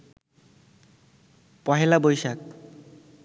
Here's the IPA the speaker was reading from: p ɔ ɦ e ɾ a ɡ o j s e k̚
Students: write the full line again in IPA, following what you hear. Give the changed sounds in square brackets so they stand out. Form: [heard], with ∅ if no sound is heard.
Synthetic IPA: p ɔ ɦ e [l] a [b] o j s [a] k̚

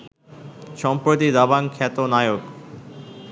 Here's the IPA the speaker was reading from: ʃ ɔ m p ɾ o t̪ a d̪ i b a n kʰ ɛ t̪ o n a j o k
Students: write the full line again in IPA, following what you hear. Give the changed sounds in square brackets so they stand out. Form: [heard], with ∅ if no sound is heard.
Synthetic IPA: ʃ ɔ m p ɾ o t̪ [i] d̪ [a] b a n kʰ ɛ t̪ o n a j o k

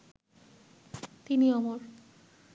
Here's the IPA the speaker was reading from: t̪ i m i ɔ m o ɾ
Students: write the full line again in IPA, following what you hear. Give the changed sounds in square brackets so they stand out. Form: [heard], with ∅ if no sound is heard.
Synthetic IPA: t̪ i [n] i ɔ m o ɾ

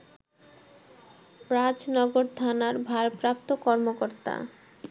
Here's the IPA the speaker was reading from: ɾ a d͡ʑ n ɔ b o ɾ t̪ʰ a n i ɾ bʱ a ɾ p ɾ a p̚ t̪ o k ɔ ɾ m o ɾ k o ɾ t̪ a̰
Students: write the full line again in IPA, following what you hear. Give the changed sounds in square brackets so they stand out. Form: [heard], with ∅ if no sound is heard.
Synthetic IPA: ɾ a d͡ʑ n ɔ [ɡ] o ɾ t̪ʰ a n [a] ɾ bʱ a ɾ p ɾ a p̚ t̪ o k ɔ ɾ m o [∅] k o ɾ t̪ a̰

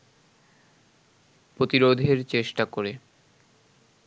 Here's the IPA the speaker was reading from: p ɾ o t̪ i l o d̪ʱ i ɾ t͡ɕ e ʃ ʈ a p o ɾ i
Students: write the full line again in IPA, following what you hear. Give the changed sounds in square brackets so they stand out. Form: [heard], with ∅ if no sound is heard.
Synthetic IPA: p ɾ o t̪ i [ɾ] o d̪ʱ [e] ɾ t͡ɕ e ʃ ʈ a [k] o ɾ [e]

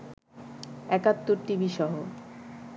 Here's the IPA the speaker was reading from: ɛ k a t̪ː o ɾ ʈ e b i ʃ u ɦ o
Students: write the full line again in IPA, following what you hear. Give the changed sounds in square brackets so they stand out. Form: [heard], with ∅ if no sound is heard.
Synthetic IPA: ɛ k a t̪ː o ɾ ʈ [i] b i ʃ [ɔ] ɦ o

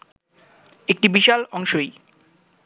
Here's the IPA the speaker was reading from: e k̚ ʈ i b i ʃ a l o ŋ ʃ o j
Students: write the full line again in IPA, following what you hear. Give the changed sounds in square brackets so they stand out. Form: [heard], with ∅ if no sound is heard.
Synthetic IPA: e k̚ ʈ i b i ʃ a l [ɔ] ŋ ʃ o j

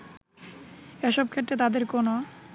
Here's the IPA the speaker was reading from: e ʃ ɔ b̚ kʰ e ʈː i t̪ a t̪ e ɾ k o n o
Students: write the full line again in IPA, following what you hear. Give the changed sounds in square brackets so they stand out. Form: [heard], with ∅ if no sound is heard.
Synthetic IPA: e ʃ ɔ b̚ kʰ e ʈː [e] t̪ a [d̪] e ɾ k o n o

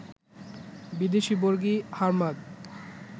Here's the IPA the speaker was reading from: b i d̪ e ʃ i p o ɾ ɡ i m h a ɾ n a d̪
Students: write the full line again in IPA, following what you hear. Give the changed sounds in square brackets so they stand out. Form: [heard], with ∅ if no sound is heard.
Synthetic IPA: b i d̪ e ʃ i [b] o ɾ ɡ i [∅] h a ɾ [m] a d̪

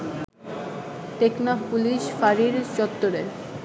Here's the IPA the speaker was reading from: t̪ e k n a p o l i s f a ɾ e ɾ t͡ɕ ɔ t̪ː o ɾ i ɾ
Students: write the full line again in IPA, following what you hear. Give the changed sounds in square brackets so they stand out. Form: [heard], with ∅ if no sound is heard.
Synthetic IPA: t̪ e k n a p [u] l i [ʃ] f a ɾ [i] ɾ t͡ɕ ɔ t̪ː o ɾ [e] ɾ

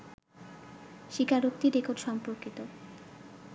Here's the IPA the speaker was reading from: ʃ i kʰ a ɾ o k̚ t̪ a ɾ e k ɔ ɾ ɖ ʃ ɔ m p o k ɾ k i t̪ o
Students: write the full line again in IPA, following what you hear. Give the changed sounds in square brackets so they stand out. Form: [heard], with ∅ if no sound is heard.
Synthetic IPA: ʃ i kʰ a ɾ o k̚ t̪ [i] ɾ e k [o] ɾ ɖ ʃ ɔ m p o [∅] ɾ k i t̪ o

